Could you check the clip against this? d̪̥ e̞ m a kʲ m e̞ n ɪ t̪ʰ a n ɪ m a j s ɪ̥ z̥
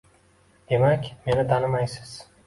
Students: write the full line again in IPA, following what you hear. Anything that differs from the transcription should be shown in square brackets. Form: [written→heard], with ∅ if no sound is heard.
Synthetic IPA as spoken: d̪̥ e̞ m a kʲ m e̞ n ɪ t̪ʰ a n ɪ m a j s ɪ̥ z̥